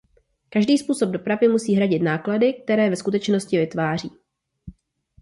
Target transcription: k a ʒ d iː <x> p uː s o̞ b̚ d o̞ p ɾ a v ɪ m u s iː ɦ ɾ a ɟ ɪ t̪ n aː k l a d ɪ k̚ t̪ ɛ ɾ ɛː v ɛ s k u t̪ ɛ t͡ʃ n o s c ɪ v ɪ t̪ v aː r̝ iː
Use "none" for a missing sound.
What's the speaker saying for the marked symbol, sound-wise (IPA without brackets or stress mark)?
s